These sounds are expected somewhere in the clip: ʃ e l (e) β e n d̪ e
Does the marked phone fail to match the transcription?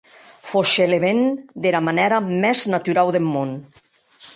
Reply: no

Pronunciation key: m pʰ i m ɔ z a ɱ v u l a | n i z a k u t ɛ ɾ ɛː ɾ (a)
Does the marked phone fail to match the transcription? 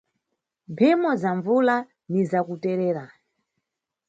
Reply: no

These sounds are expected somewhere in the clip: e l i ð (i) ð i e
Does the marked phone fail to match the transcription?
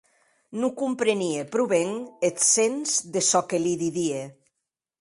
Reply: no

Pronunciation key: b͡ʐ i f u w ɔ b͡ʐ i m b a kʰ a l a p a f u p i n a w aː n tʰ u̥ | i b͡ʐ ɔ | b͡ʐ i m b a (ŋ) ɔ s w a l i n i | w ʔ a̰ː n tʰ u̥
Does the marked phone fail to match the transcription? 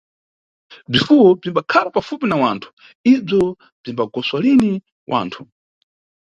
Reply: yes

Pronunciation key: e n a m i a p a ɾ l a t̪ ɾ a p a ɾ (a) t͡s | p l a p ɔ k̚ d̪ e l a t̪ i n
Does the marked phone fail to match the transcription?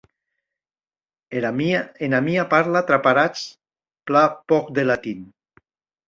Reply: no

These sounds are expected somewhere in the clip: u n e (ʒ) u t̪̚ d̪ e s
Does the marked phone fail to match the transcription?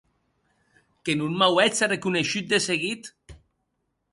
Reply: yes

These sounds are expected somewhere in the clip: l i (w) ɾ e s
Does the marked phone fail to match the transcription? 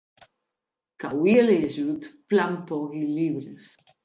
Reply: yes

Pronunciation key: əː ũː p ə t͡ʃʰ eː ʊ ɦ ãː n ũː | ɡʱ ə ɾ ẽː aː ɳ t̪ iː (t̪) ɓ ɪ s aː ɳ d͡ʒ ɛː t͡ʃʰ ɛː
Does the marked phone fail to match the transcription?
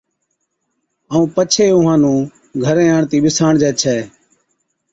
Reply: yes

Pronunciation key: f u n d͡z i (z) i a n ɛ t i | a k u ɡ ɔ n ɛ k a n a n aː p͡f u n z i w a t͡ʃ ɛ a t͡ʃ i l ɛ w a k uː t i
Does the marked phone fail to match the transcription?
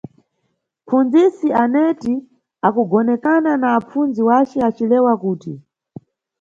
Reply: yes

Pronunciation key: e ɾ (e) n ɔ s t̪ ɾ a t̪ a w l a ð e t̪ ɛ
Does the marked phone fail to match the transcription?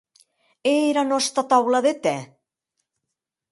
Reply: yes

